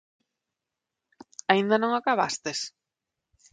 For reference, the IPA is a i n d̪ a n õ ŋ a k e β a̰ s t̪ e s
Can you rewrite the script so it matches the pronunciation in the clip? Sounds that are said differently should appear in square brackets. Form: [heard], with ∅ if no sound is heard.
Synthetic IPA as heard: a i n d̪ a n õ ŋ a k [a] β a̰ s t̪ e s